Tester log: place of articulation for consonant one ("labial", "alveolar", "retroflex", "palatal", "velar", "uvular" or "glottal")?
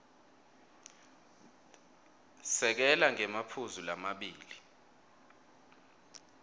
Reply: alveolar